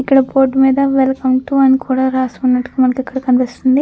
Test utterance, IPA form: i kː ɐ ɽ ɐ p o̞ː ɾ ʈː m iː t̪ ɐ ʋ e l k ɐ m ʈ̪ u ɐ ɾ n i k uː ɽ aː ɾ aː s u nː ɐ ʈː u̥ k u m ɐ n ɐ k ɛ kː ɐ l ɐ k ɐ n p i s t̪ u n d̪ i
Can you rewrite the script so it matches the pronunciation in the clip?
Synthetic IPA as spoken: i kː ɐ ɽ ɐ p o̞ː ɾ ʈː m iː d̪ ɐ ʋ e l k ɐ m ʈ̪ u ɐ n i k uː ɽ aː ɾ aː s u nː ɐ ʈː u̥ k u m ɐ n ɐ k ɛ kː ɐ ɽ ɐ k ɐ n p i s t̪ u n d̪ i